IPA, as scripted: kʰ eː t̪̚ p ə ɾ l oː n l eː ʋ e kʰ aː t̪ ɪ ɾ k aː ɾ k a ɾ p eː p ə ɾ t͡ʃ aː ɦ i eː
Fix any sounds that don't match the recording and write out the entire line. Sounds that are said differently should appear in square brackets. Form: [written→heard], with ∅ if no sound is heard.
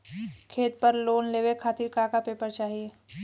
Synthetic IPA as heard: kʰ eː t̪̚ p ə ɾ l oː n l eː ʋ e kʰ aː t̪ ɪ ɾ k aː [ɾ→∅] k a [ɾ→∅] p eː p ə ɾ t͡ʃ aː ɦ i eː